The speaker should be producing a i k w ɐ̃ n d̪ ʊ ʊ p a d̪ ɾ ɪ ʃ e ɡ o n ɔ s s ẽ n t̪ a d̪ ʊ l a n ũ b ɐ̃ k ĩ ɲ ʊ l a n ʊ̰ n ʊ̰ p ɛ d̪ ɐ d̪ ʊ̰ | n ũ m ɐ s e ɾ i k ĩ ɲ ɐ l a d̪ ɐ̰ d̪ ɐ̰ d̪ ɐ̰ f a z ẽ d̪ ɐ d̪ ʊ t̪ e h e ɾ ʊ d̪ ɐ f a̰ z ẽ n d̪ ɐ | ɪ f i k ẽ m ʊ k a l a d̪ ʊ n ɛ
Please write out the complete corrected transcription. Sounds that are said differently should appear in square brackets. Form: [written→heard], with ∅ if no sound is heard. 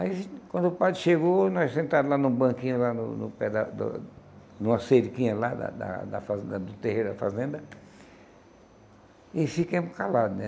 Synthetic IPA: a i k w ɐ̃ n d̪ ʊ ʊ p a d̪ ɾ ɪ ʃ e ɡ o n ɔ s s ẽ n t̪ a d̪ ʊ l a n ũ b ɐ̃ k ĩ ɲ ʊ l a n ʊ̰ n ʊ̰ p ɛ d̪ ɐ d̪ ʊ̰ | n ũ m ɐ s e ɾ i k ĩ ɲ ɐ l a d̪ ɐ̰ d̪ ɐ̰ d̪ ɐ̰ f a z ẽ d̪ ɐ d̪ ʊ t̪ e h e ɾ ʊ d̪ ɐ f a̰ z ẽ n d̪ ɐ | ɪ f i k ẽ m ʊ k a l a d̪ ʊ n ɛ